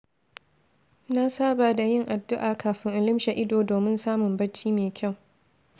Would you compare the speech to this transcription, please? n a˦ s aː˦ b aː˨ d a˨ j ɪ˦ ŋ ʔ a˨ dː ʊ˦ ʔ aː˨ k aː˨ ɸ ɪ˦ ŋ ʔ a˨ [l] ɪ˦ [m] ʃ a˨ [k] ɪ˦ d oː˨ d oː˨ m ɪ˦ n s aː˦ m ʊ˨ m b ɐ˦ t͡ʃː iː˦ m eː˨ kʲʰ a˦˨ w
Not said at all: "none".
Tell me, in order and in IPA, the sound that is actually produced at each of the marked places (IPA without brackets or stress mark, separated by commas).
l, m, ʔ